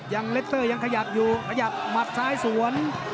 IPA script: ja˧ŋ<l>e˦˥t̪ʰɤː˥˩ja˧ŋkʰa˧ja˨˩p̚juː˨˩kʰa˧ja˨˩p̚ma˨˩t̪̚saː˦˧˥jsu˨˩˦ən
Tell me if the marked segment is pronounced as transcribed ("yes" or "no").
yes